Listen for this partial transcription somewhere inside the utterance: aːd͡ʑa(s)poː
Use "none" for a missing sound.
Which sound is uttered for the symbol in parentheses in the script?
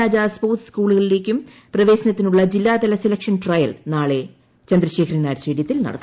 s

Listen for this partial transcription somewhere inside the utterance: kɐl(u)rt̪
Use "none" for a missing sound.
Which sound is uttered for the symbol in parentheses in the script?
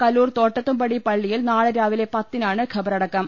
uː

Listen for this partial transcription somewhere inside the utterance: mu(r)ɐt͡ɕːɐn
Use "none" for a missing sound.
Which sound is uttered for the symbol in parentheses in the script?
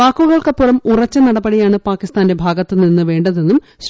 r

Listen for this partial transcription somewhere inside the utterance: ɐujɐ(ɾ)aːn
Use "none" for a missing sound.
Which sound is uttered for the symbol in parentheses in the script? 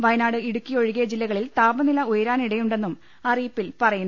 ɾ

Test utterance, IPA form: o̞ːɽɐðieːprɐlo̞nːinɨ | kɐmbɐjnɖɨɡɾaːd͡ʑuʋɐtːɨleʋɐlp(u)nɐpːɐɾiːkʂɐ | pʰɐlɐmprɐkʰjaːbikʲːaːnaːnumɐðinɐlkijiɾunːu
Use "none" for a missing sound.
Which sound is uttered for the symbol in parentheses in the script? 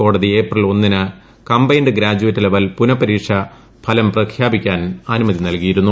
u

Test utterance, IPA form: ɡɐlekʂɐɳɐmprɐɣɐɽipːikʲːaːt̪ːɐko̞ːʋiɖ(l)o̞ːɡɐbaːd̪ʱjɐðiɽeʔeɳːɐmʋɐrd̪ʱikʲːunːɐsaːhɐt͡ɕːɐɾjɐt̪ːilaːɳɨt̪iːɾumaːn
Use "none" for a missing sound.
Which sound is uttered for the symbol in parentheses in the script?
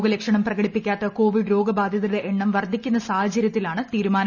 ɾ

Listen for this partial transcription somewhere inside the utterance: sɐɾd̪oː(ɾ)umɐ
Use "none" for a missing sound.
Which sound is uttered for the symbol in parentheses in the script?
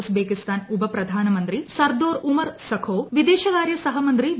ɾ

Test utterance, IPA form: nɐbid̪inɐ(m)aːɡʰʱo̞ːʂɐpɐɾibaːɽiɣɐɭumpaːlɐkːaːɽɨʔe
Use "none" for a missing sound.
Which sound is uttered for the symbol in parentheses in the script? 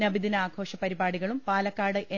none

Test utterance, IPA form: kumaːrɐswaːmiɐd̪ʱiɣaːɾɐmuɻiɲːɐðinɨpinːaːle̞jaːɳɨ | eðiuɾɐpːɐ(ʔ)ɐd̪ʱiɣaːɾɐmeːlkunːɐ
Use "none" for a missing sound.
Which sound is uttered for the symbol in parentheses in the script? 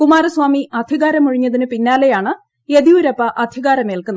ʔ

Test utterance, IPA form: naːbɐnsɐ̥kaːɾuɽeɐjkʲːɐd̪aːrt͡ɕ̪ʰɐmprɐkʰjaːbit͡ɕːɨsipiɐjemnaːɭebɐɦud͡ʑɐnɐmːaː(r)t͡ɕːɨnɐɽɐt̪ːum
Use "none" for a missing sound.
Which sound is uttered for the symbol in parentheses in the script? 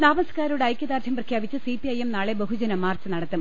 r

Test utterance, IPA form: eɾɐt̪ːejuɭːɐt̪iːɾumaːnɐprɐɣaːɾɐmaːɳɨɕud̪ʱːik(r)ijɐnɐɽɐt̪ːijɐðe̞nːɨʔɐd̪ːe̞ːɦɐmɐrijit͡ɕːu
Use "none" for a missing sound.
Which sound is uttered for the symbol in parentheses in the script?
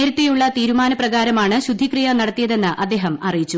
r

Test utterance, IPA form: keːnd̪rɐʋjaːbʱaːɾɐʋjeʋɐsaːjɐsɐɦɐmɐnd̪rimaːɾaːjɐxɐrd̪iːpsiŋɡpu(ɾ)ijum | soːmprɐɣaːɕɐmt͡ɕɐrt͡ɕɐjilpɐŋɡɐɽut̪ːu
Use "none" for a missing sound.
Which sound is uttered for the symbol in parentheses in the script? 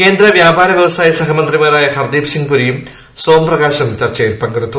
ɾ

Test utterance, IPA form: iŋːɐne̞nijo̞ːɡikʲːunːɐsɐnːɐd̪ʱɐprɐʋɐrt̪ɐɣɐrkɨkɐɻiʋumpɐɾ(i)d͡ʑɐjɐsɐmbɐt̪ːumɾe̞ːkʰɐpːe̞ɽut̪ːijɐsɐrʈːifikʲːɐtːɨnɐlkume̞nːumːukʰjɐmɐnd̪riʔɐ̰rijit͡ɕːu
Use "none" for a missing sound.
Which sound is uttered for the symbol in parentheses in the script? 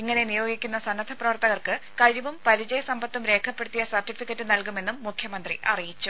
i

